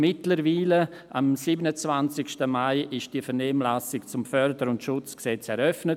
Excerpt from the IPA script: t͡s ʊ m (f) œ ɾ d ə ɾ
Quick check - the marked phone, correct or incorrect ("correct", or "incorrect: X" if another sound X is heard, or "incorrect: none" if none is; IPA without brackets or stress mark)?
correct